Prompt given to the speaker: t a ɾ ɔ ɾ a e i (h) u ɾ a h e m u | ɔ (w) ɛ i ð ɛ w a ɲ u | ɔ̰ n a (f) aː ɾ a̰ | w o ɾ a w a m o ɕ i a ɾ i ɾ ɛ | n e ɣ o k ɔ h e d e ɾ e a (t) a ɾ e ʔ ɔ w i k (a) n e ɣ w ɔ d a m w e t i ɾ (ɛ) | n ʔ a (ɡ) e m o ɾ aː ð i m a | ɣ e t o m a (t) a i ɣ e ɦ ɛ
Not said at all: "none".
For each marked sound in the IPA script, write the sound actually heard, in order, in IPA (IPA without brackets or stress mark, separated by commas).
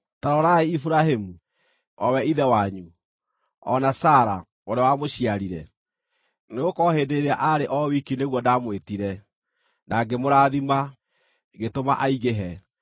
f, w, s, ʔ, i, ɛ, ɡ, ʔ